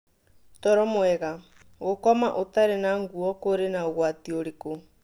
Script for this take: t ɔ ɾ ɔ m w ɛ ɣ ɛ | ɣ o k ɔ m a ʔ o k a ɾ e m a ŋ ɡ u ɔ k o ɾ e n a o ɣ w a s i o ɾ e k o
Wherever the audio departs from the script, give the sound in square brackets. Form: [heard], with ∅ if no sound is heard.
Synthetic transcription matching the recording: t ɔ ɾ ɔ m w ɛ ɣ [a] | ɣ o k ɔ m a ʔ o [t] a ɾ e [n] a ŋ ɡ u ɔ k o ɾ e n a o ɣ w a [t] i o ɾ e k o